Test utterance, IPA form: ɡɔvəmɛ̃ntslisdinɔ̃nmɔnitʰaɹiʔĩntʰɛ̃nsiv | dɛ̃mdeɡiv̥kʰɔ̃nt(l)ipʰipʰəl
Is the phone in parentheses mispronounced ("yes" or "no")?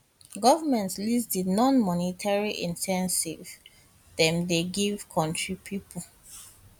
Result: yes